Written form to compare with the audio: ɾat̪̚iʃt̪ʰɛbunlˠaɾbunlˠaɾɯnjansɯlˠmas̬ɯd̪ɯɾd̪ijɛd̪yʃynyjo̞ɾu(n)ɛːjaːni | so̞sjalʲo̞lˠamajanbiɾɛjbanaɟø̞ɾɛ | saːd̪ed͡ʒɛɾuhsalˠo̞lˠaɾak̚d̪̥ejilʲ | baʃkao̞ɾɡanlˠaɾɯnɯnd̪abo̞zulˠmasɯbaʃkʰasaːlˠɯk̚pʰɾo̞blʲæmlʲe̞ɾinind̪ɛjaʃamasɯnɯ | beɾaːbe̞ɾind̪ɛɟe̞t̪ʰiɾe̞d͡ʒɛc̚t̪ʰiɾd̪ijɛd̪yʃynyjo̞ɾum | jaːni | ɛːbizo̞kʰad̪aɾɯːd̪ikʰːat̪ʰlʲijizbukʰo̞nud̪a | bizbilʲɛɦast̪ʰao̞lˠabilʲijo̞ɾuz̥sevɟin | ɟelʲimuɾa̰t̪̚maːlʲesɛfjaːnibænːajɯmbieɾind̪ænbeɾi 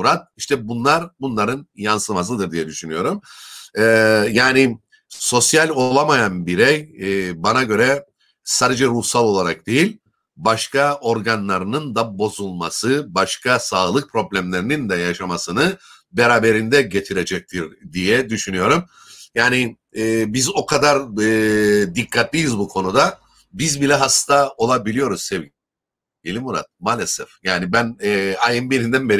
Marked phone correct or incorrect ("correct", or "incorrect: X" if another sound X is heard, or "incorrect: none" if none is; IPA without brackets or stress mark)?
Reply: incorrect: m